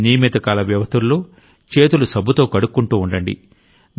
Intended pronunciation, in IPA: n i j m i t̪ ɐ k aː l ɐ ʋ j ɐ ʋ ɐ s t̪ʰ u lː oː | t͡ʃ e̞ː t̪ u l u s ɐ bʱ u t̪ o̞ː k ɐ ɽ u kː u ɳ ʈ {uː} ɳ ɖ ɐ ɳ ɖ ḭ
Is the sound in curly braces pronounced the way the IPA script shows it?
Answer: yes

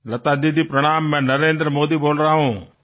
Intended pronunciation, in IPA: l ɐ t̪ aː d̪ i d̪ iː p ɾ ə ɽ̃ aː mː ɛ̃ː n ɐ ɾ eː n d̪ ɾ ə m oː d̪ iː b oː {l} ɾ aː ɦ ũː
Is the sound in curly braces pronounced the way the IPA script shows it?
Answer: yes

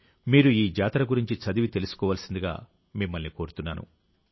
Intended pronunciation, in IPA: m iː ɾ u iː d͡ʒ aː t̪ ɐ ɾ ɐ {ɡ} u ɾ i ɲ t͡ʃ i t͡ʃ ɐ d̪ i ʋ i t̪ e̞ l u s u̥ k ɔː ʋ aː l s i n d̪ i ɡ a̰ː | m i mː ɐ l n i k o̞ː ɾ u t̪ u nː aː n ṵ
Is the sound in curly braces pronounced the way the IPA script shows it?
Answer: yes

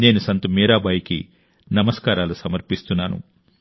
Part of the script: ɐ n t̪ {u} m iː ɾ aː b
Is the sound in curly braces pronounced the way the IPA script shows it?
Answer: yes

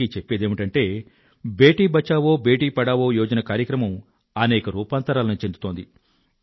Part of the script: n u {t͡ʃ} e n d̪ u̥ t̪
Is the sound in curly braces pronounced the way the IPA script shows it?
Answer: yes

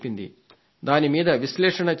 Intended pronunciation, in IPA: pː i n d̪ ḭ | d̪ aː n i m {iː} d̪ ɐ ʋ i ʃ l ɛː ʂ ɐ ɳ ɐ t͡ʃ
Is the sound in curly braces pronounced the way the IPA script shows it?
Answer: yes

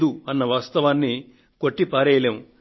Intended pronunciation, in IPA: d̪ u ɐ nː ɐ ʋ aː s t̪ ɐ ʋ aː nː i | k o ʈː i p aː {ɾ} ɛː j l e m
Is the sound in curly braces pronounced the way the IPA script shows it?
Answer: yes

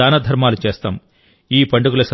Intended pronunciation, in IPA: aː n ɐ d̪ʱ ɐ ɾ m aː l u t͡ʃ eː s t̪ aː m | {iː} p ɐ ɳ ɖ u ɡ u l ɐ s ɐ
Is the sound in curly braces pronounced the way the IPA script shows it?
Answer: yes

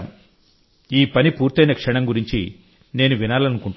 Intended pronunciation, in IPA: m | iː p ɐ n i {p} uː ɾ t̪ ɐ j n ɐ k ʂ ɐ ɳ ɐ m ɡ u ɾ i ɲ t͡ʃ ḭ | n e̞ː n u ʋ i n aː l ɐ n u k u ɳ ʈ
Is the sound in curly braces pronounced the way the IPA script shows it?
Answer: yes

